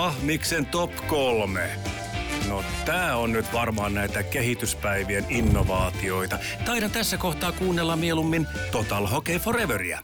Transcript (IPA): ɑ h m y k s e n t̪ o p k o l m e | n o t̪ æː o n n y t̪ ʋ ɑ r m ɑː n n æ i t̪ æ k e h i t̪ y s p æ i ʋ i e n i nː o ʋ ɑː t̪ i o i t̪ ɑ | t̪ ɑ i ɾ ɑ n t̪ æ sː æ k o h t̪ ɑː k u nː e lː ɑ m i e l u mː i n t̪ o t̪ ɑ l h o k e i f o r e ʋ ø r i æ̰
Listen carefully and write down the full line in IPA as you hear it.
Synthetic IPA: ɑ h m i k s e n t̪ o p k o l m e | n o t̪ æː o n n y t̪ ʋ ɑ r m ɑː n n æ i t̪ æ k e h i t̪ y s p æ i ʋ i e n i nː o ʋ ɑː t̪ i o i t̪ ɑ | t̪ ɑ i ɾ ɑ n t̪ æ sː æ k o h t̪ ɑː k uː nː e lː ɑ m i e l u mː i n t̪ o t̪ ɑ l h o k e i f o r e ʋ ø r i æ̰